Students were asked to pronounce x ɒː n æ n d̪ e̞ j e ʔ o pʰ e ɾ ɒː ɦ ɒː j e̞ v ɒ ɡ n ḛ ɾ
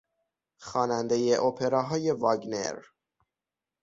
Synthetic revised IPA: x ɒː n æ n d̪ e̞ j e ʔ o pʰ e ɾ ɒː ɦ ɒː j e̞ v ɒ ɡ n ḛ ɾ